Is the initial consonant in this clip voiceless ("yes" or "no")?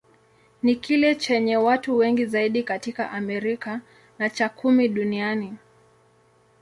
no